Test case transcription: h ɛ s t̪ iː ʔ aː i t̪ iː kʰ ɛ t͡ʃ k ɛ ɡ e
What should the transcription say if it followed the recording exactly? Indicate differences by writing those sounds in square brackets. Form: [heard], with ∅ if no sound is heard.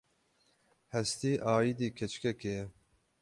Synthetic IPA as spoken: h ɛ s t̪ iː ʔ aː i [d̪] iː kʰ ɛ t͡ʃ k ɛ [k] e

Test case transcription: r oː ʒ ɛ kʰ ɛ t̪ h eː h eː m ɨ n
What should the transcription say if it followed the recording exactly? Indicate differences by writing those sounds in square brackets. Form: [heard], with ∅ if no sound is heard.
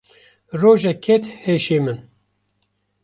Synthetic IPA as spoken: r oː ʒ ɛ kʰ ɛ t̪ h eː [ʃ] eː m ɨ n

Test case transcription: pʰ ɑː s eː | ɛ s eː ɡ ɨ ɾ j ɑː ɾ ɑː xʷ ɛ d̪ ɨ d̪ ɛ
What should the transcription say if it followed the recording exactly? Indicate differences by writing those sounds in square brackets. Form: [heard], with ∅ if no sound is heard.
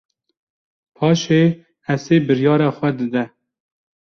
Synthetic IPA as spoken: pʰ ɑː [ʃ] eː | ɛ s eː [b] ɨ ɾ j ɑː ɾ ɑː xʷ ɛ d̪ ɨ d̪ ɛ

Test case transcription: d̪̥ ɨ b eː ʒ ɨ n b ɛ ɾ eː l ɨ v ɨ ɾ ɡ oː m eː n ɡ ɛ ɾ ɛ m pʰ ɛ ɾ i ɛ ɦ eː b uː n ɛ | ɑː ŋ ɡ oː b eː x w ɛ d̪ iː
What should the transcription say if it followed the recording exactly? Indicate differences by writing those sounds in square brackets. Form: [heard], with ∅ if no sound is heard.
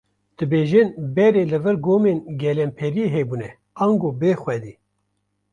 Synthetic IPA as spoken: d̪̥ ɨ b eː ʒ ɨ n b ɛ ɾ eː l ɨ v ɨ ɾ ɡ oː m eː n ɡ ɛ [l] ɛ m pʰ ɛ ɾ i [e] ɦ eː b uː n ɛ | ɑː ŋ ɡ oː b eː x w ɛ d̪ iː

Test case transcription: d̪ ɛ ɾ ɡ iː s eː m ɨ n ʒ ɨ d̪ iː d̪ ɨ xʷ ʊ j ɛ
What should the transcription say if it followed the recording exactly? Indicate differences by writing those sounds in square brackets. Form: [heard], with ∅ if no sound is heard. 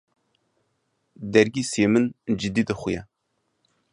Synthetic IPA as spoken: d̪ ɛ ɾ ɡ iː s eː m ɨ n [d͡ʒ] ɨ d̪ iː d̪ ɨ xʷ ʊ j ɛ

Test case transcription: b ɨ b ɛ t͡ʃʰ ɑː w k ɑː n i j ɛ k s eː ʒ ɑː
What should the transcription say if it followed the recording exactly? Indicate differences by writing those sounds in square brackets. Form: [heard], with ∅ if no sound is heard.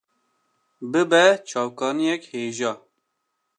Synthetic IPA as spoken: b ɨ b ɛ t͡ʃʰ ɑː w k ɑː n i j ɛ k [h] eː ʒ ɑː

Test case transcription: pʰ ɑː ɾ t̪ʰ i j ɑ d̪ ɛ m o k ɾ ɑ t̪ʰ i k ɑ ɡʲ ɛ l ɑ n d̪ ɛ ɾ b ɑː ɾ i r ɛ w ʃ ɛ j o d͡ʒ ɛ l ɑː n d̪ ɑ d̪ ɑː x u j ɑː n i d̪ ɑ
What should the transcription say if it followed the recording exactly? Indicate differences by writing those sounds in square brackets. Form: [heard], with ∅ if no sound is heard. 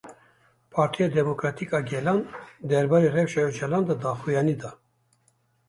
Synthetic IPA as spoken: pʰ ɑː ɾ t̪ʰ i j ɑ d̪ ɛ m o k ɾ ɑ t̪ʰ i k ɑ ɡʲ ɛ l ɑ n d̪ ɛ ɾ b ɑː ɾ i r ɛ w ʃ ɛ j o d͡ʒ ɛ l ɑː n d̪ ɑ d̪ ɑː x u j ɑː n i d̪ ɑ

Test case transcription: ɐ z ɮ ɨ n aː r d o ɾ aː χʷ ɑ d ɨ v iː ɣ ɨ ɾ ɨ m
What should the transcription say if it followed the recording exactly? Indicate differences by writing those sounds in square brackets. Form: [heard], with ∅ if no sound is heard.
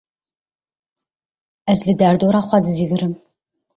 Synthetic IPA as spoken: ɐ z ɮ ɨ [d] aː r d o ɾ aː χʷ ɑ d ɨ [z] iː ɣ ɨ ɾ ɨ m

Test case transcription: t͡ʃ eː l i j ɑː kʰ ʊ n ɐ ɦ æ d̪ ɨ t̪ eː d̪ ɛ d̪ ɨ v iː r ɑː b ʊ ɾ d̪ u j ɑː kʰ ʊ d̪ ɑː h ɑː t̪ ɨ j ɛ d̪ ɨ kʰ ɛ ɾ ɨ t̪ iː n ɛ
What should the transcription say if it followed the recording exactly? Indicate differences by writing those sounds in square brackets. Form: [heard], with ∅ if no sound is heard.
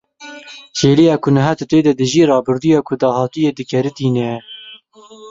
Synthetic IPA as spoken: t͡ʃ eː l i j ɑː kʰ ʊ n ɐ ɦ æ [t̪] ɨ t̪ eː d̪ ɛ d̪ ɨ [ʒ] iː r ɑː b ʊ ɾ d̪ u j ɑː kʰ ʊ d̪ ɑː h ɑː t̪ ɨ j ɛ d̪ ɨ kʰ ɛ ɾ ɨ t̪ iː n ɛ

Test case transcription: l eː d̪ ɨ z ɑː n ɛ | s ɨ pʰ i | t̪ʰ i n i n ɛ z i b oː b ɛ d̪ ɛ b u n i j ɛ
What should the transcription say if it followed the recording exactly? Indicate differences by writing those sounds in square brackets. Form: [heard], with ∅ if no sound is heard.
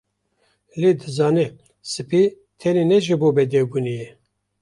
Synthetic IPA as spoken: l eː d̪ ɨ z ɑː n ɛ | s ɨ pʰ i | t̪ʰ [ɛ] n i n ɛ [ʒ] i b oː b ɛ d̪ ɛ b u n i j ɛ

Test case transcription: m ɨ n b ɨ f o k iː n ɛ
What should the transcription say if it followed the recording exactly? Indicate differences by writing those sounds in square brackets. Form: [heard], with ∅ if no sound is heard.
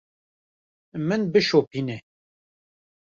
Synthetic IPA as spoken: m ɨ n b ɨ [ʃ] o [p] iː n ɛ

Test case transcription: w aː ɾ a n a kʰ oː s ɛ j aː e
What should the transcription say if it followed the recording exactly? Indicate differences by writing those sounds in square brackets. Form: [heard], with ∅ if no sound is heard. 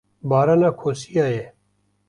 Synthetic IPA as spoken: [b] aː ɾ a n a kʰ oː s [i] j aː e

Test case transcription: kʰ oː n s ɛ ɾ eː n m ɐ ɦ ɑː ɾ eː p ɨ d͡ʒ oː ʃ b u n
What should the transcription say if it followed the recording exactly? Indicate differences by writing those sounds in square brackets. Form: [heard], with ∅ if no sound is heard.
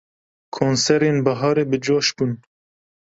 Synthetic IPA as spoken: kʰ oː n s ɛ ɾ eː n [b] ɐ ɦ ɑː ɾ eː [b] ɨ d͡ʒ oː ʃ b u n

